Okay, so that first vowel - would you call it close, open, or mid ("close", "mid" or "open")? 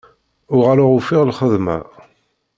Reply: close